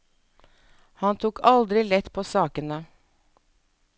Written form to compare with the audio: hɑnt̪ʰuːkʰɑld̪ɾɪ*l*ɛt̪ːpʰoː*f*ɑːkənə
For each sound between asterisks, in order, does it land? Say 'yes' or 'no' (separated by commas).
yes, no